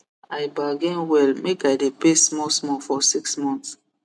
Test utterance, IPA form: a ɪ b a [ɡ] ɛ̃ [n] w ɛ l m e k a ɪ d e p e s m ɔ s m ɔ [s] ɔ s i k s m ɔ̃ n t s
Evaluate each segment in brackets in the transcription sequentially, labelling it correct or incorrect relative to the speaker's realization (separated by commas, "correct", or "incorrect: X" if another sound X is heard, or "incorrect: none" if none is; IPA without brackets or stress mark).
correct, correct, incorrect: f